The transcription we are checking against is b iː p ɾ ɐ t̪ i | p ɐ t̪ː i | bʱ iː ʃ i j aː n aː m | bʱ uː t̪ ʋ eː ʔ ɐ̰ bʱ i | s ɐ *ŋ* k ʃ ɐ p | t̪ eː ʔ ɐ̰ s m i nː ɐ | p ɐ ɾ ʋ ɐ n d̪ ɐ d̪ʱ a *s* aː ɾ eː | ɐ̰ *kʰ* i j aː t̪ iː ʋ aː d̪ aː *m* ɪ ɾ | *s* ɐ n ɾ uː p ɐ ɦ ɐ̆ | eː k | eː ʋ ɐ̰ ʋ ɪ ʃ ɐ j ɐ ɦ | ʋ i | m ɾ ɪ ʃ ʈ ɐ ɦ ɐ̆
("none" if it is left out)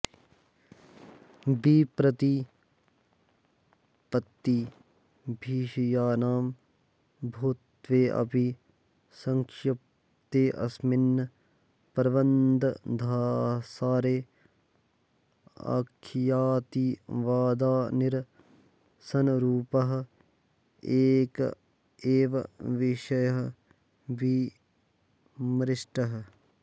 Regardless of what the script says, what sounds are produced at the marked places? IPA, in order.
ŋ, s, kʰ, n, s

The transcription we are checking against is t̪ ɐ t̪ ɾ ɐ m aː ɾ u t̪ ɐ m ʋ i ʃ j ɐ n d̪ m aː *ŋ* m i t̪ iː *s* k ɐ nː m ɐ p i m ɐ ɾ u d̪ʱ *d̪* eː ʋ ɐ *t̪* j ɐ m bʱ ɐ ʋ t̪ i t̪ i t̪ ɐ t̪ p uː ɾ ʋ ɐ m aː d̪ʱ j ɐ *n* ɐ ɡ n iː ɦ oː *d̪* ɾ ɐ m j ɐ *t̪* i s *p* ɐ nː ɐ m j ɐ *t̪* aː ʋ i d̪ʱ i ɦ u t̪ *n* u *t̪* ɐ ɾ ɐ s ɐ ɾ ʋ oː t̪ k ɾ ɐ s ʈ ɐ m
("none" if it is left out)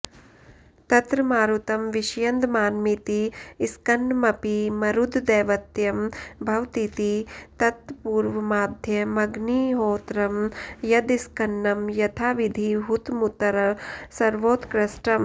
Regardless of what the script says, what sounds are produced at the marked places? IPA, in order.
n, s, d̪, t̪, m, t̪, d̪, k, t̪ʰ, m, t̪

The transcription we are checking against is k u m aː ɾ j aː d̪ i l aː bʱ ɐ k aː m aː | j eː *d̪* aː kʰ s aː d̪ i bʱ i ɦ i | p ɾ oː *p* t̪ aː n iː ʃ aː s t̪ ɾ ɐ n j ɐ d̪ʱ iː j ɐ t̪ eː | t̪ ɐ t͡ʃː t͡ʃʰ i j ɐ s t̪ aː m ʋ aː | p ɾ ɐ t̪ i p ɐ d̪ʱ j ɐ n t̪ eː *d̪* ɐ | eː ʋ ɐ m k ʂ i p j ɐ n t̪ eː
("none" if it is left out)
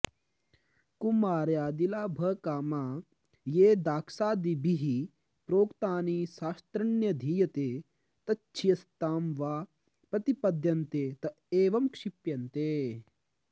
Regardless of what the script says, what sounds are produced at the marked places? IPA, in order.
d̪, k, t̪

